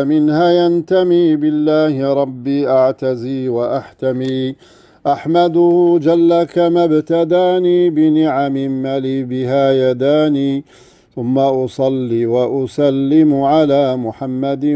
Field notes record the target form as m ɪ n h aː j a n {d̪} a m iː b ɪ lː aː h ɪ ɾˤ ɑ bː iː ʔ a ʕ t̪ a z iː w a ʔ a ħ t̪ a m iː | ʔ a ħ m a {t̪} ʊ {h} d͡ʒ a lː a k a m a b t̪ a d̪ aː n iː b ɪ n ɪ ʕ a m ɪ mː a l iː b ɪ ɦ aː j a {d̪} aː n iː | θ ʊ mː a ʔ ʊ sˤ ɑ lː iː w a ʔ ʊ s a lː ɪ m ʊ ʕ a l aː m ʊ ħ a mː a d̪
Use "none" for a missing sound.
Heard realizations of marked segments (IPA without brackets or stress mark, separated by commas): t̪, d̪, h, d̪